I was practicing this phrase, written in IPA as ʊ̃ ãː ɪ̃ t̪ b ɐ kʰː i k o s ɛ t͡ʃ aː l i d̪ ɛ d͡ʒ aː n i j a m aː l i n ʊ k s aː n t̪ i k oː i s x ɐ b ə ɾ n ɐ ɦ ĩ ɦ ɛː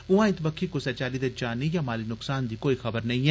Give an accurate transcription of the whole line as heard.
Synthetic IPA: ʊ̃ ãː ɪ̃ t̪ b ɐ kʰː i k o s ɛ t͡ʃ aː l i d̪ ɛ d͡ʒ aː n i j a m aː l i n ʊ k s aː n d̪ i k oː i x ɐ b ə ɾ n ɐ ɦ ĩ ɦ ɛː